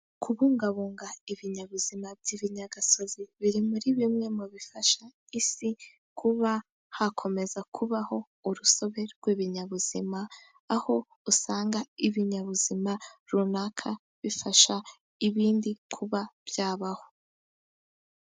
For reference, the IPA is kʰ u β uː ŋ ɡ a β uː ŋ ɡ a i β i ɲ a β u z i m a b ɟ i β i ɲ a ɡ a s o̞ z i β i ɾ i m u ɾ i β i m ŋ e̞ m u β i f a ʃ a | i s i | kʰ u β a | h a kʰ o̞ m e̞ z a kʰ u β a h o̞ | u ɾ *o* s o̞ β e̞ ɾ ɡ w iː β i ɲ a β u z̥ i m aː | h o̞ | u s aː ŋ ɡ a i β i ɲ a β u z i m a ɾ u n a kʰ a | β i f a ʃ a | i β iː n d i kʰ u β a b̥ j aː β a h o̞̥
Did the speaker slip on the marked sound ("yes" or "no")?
yes